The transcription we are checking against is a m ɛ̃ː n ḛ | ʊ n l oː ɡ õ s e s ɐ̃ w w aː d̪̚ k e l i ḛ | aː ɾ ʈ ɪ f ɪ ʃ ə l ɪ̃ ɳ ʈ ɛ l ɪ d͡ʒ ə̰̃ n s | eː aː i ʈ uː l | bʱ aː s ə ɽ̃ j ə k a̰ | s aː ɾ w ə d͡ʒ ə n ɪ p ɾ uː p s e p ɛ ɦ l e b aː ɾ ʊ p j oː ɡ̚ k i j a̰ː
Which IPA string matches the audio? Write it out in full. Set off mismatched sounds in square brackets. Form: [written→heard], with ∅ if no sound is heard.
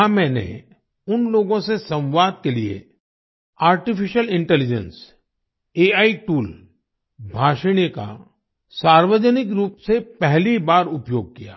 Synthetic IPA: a m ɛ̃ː n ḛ | ʊ n l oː ɡ õ s e s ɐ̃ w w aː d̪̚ k e l i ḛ | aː ɾ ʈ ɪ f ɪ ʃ ə l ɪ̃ ɳ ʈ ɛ l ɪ d͡ʒ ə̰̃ n s | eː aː i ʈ uː l | bʱ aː [s→ʃ] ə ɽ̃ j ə k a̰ | s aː ɾ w ə d͡ʒ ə n ɪ [p→k] ɾ uː p s e p ɛ ɦ l [e→i] b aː ɾ ʊ p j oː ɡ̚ k i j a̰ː